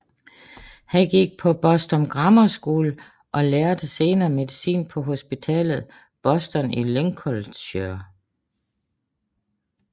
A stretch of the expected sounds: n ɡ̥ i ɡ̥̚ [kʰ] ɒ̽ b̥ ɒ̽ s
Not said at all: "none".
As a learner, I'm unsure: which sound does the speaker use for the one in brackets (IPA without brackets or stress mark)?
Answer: pʰ